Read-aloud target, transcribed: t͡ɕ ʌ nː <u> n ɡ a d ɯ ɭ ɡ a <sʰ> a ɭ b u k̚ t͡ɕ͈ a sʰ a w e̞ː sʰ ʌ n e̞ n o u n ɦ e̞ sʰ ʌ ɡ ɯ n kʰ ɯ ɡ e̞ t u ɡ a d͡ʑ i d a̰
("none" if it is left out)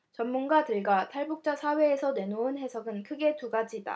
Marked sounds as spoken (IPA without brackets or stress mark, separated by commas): u, tʰ